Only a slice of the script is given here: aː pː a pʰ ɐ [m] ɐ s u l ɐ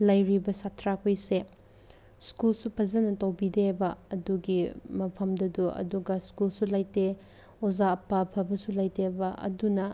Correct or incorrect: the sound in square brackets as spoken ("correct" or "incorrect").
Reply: incorrect